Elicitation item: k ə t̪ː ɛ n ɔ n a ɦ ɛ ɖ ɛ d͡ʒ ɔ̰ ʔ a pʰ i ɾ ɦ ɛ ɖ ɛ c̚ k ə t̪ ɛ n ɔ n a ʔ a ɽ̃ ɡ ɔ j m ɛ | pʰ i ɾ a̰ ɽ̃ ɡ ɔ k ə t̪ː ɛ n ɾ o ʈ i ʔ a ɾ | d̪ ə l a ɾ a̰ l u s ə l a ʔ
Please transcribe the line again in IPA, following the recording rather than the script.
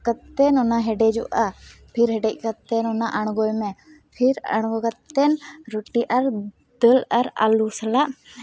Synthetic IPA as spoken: k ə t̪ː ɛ n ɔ n a ɦ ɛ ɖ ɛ d͡ʒ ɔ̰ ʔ a pʰ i ɾ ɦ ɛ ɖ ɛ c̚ k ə t̪ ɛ n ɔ n a ʔ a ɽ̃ ɡ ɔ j m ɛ | pʰ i ɾ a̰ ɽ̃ ɡ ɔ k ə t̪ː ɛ n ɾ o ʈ i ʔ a ɾ | d̪ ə l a ɾ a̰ l u s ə l a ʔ